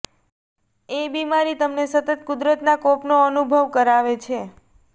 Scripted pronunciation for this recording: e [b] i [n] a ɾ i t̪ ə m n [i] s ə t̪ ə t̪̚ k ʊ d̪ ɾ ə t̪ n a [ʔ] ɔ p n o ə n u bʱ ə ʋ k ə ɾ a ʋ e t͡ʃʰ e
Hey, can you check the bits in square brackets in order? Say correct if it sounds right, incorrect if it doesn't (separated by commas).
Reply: correct, incorrect, incorrect, incorrect